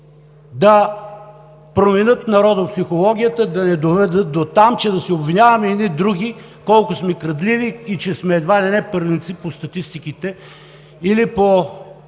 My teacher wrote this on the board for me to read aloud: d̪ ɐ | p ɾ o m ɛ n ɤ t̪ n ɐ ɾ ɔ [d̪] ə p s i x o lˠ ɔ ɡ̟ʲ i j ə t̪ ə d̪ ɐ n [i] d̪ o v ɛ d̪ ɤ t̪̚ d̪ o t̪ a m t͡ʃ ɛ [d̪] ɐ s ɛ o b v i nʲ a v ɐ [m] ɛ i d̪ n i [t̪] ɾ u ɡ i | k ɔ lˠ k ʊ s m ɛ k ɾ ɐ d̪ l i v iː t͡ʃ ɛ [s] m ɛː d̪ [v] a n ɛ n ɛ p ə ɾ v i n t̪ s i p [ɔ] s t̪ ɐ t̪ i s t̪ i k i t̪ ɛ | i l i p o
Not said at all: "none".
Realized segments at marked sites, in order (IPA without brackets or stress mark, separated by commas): d̪, ɛ, d̪, m, d̪, s, v, o